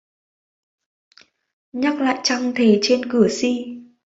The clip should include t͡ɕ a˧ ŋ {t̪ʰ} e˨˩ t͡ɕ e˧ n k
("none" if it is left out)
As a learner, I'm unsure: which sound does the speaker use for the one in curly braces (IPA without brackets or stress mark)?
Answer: t̪ʰ